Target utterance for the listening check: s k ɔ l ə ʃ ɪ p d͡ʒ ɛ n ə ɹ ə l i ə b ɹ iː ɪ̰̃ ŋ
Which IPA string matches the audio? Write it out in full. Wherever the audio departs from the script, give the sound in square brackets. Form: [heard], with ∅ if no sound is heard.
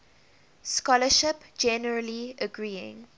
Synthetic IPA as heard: s k ɔ l ə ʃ ɪ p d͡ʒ ɛ n ə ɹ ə l i ə [ɡ] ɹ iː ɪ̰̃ ŋ